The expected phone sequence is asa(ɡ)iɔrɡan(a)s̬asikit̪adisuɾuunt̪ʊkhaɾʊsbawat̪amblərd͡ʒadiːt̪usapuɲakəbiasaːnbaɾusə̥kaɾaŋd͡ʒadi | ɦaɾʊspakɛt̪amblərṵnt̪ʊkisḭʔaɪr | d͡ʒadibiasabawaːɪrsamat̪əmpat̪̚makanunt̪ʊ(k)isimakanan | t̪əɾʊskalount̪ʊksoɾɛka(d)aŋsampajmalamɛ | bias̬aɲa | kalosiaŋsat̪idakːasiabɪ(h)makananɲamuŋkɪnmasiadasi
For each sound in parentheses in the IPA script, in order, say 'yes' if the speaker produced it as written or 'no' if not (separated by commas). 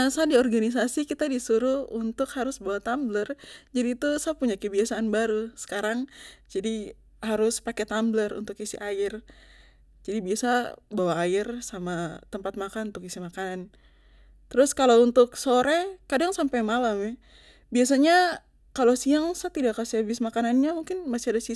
no, no, yes, yes, no